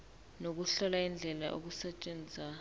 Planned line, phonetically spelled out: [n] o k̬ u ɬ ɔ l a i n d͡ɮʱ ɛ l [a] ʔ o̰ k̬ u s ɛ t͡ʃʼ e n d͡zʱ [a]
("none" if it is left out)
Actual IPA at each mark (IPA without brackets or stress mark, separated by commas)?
n, a, a